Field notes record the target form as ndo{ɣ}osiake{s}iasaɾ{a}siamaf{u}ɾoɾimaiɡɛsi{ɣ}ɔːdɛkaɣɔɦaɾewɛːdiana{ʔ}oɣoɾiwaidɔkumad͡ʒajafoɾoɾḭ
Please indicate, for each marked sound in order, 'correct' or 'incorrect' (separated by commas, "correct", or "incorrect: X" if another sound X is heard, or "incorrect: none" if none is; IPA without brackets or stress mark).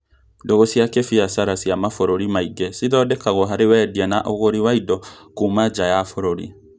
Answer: correct, incorrect: f, correct, incorrect: o, incorrect: ð, correct